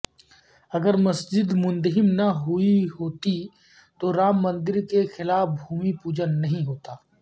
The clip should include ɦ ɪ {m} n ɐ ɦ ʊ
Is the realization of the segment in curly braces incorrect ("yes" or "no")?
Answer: no